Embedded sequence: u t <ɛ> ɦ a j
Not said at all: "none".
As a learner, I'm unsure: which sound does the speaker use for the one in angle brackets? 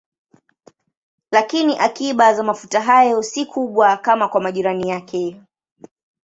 a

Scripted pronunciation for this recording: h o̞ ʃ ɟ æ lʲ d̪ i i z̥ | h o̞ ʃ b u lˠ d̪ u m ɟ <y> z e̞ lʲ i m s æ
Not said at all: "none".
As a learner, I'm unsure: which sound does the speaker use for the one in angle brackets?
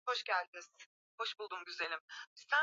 y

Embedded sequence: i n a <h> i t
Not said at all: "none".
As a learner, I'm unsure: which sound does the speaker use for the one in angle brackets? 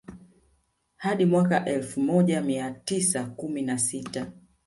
s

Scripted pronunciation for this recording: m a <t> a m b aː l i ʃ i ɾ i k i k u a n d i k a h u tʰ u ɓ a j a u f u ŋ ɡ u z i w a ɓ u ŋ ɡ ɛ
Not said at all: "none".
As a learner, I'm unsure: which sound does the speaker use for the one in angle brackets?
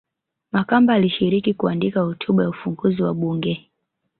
k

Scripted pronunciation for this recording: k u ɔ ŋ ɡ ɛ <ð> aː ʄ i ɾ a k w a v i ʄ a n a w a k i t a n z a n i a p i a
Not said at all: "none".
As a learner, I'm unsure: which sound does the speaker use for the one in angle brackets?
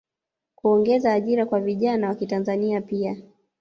z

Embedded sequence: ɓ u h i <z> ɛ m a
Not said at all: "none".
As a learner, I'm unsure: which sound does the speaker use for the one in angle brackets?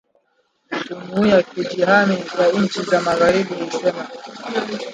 s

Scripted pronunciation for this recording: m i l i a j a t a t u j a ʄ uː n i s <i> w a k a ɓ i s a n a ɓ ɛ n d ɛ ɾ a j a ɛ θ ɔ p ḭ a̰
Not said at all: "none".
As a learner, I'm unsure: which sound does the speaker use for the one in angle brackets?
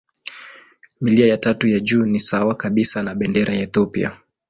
a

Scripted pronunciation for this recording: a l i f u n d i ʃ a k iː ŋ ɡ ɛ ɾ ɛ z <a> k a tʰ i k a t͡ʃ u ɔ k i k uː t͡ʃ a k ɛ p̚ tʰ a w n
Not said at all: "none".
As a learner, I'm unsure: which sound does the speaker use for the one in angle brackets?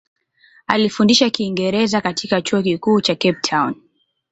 a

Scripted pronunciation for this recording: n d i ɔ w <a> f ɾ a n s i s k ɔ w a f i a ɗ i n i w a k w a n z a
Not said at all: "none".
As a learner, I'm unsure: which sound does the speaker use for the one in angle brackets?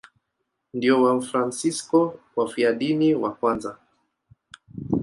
a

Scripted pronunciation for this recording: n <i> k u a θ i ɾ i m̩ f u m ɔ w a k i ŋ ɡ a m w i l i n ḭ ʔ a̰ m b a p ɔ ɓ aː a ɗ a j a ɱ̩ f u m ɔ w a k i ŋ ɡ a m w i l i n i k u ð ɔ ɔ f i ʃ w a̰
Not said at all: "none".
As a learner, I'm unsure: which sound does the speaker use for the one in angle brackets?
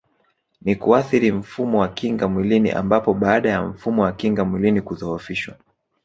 i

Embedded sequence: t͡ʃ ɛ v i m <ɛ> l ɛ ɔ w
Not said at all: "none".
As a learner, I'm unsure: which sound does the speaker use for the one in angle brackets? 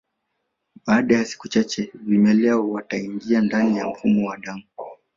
ɛ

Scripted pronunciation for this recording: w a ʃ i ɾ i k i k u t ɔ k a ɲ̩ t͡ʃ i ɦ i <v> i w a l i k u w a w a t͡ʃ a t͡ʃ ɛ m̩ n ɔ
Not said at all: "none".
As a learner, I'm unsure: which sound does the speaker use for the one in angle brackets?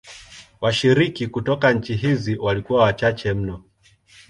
z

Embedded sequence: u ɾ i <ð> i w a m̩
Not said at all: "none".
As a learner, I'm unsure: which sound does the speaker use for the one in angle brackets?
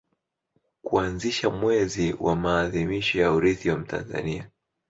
θ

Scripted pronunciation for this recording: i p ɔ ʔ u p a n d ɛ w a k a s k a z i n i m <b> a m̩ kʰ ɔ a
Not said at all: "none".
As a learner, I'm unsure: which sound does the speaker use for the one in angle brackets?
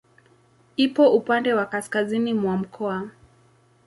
w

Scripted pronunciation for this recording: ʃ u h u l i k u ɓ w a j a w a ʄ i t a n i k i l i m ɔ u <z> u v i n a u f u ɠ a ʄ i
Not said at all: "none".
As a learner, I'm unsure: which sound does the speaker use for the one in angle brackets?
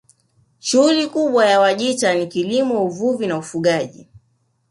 v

